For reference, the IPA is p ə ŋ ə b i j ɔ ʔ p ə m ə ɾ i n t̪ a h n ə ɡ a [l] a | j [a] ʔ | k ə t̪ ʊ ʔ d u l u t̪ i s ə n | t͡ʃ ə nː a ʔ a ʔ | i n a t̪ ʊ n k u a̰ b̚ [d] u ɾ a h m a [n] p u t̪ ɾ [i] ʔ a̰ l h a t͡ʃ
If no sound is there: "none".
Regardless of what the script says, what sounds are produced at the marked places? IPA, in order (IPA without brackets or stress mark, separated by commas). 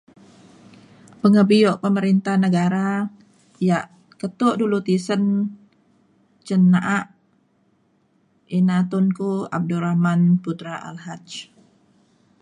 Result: ɾ, a, d, n, a